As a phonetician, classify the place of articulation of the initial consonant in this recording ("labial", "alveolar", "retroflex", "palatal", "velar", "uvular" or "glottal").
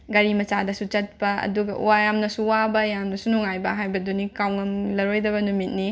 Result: velar